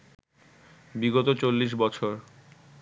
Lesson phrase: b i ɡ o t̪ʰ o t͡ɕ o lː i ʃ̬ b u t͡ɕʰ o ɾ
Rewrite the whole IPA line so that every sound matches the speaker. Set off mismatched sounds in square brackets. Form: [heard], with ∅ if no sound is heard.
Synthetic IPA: b i ɡ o [t̪] o t͡ɕ o lː i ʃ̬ b [ɔ] t͡ɕʰ o ɾ